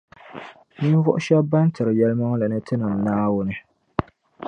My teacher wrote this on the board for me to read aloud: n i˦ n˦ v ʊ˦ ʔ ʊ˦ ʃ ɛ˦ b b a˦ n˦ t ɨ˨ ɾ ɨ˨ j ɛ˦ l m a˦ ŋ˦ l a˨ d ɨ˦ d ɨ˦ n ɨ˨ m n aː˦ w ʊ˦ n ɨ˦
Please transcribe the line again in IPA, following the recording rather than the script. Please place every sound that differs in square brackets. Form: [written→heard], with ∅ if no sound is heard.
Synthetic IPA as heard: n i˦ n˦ v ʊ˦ ʔ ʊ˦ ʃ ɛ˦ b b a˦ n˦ t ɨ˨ ɾ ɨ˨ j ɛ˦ l m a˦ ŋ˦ l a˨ [d→n] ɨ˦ [d→t] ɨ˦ n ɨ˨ m n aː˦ w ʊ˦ n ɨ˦

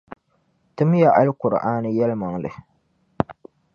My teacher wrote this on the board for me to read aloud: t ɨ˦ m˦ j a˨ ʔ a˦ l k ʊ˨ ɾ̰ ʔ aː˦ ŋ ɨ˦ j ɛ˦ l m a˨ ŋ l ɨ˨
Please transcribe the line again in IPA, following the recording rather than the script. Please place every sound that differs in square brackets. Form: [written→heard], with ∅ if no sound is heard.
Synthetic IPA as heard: t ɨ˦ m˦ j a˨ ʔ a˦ l k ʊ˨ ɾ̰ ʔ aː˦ [ŋ→n] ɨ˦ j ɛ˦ l m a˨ ŋ l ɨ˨

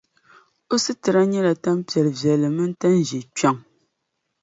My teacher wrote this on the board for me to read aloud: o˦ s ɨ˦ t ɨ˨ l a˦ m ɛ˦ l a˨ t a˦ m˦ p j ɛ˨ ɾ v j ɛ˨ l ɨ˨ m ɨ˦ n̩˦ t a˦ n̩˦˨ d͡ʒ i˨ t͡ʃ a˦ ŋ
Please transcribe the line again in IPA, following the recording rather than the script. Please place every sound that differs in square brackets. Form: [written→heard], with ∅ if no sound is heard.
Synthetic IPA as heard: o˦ s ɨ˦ t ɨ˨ [l→ɾ] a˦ [m→ɲ] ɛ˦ l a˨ t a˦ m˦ p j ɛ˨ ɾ v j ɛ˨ l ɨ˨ m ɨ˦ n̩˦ t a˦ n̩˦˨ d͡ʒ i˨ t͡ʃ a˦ ŋ

